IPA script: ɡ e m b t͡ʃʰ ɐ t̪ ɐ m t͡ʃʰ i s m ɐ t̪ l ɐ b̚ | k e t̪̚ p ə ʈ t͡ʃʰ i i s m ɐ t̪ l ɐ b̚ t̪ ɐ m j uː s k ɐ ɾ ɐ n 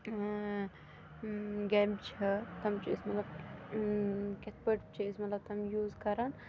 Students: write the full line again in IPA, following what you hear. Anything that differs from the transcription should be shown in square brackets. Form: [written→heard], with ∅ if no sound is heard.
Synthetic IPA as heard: ɡ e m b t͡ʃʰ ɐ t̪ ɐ m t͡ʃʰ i s m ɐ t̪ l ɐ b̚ | k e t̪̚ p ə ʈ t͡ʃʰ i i s m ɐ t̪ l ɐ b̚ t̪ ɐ m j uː [s→z] k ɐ ɾ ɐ n

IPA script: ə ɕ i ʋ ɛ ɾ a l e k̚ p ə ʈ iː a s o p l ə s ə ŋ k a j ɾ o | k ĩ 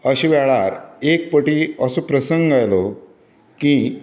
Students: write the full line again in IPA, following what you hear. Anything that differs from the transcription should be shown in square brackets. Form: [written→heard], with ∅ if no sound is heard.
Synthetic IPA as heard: ə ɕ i ʋ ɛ [ɾ→ɭ] a [l→ɾ] e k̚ p ə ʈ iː [a→ə] s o p [l→ɾ] ə s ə ŋ [k→ɡ] a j [ɾ→l] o | k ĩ

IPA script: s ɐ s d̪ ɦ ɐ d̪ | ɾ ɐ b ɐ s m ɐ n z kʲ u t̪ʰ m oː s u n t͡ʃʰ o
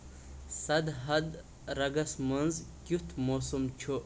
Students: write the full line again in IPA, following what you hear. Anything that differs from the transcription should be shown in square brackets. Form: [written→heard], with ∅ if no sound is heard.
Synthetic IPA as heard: s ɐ [s→∅] d̪ ɦ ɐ d̪ | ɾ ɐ [b→ɡ] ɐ s m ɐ n z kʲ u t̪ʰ m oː s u [n→m] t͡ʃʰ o

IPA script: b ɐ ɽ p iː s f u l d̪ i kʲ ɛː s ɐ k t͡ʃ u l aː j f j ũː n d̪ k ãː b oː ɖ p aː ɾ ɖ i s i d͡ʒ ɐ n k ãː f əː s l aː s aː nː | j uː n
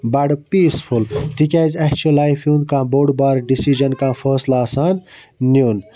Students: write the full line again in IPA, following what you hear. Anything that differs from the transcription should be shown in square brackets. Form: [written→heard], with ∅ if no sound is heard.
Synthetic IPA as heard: b ɐ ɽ p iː s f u l [d̪→t̪] i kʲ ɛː [s→z] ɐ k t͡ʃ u l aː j f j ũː n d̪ k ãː b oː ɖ [p→b] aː ɾ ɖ i s i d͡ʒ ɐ n k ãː f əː s l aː s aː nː | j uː n

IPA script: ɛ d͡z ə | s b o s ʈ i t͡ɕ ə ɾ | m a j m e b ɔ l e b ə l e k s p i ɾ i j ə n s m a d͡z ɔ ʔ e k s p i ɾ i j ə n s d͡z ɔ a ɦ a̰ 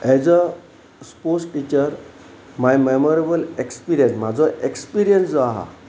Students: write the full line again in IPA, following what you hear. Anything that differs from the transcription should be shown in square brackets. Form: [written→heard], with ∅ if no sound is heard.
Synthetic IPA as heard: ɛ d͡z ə | s [b→p] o s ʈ i t͡ɕ ə ɾ | m a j m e [b→m] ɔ [l→ɾ] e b ə l e k s p i ɾ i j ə n s m a d͡z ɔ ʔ e k s p i ɾ i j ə n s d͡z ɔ a ɦ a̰

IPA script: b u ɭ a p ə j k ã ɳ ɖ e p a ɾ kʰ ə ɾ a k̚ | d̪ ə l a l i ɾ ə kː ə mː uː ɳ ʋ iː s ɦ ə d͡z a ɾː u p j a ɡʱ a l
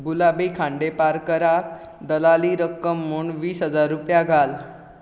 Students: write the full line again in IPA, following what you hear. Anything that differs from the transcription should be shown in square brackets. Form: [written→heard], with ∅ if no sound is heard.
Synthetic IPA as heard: b u [ɭ→l] a [p→b] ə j [k→kʰ] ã ɳ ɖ e p a ɾ [kʰ→k] ə ɾ a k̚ | d̪ ə l a l i ɾ ə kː ə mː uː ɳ ʋ iː s ɦ ə d͡z a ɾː u p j a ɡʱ a l

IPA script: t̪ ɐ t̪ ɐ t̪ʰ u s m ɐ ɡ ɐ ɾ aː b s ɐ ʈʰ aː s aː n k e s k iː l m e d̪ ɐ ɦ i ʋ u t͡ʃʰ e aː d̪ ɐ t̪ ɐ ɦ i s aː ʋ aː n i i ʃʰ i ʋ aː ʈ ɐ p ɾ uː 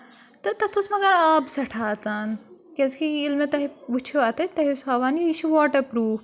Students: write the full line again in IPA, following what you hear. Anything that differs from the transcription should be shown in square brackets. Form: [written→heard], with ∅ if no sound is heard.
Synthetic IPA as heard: t̪ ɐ t̪ ɐ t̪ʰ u s m ɐ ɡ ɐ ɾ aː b s ɐ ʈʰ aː [s→t͡s] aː n k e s k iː l m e [d̪→t̪] ɐ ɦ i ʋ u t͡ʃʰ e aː [d̪→t̪] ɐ t̪ ɐ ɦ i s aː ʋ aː n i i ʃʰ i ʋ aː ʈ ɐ p ɾ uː

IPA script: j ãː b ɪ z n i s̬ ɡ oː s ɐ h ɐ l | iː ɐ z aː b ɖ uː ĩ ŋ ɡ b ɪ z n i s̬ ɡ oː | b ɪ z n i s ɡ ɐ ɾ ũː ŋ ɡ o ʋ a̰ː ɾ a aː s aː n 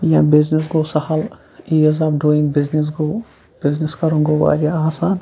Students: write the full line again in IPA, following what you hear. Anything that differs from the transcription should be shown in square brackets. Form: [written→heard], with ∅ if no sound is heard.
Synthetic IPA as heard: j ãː b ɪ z n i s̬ ɡ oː s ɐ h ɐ l | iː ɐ z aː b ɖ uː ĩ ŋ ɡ b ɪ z n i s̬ ɡ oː | b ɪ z n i s [ɡ→k] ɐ ɾ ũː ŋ ɡ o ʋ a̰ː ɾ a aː s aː n

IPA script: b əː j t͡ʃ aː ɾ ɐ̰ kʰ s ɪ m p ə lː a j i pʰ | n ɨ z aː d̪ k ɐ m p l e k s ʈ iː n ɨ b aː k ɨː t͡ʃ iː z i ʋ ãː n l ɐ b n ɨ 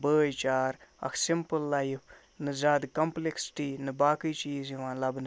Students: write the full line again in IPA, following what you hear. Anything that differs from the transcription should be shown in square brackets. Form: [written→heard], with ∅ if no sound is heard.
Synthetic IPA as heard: b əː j t͡ʃ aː ɾ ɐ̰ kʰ s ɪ m p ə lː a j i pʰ | n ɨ z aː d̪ k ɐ m p l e k s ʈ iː n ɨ b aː k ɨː t͡ʃ iː z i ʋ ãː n l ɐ b n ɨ

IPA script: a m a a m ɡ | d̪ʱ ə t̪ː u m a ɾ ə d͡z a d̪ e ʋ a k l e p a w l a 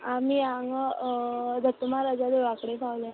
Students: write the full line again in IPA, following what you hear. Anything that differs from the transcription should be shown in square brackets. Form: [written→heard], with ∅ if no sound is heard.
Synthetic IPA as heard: a m [a→i] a [m→ŋ] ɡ | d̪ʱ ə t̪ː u m a ɾ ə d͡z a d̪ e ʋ a k [l→ɽ] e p a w l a

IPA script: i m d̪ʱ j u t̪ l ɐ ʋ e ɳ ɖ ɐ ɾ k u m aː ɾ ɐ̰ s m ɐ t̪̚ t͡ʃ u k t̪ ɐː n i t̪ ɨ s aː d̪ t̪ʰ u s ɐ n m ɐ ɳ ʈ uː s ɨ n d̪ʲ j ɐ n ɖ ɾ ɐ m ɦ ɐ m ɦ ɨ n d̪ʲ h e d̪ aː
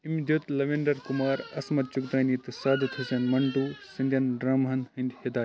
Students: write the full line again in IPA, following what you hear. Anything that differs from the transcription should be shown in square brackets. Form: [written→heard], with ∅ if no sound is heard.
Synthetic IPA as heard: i m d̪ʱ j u t̪ l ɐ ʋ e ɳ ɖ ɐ ɾ k u m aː ɾ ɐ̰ s m ɐ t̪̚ t͡ʃ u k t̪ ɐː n i t̪ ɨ s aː d̪ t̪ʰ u s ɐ n m ɐ ɳ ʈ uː s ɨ n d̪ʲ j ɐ n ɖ ɾ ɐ m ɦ ɐ [m→n] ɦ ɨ n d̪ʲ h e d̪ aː

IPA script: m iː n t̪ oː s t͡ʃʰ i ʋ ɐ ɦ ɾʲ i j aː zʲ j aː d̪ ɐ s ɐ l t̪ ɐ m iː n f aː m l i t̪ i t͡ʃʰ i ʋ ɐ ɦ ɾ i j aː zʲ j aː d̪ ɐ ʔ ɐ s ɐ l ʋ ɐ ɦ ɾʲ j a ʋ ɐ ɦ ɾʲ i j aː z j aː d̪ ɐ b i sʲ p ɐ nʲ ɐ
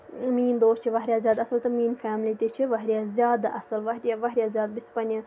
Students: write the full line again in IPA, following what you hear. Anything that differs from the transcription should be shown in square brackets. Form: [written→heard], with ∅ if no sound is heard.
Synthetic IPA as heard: m iː n [t̪→d̪] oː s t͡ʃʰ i ʋ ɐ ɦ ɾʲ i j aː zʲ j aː d̪ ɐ s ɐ l t̪ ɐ m iː n f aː m l i t̪ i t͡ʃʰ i ʋ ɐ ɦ ɾ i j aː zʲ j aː d̪ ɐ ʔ ɐ s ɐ l ʋ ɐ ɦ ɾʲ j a ʋ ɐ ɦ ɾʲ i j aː z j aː d̪ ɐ b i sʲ p ɐ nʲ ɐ

